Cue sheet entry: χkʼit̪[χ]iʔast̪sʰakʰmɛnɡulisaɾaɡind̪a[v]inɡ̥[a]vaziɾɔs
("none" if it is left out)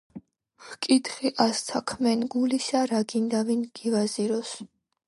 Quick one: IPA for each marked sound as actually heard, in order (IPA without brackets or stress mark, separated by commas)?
χ, v, i